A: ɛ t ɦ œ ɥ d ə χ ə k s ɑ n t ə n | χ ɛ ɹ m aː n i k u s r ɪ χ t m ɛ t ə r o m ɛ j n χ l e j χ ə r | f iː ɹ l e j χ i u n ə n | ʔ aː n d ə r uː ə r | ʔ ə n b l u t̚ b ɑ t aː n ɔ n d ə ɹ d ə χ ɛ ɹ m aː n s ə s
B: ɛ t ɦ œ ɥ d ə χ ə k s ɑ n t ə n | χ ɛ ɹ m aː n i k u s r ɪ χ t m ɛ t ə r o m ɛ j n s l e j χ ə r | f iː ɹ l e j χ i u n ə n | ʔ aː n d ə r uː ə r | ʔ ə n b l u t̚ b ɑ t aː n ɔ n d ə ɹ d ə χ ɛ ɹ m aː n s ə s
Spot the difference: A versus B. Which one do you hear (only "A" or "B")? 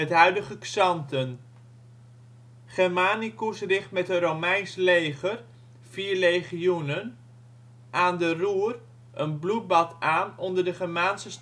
B